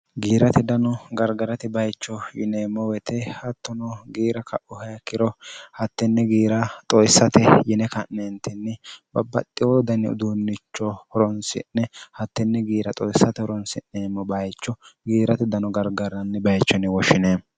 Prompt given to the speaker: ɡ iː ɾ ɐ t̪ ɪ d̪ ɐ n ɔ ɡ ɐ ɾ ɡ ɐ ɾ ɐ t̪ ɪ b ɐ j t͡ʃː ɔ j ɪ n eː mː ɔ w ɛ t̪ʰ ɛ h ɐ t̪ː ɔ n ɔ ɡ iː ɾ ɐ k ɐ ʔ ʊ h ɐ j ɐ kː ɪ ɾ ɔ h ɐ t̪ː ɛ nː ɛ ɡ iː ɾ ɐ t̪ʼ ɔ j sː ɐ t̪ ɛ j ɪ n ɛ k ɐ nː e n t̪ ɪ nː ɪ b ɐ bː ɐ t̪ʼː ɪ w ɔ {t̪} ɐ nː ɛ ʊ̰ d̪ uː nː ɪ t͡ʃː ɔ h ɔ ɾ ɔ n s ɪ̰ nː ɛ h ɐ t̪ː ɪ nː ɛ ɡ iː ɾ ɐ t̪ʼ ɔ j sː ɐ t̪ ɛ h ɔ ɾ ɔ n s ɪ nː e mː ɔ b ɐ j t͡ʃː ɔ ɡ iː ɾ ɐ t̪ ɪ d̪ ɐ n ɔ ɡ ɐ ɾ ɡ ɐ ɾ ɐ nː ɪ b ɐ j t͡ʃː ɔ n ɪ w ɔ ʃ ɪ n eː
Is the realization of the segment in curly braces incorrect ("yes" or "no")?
yes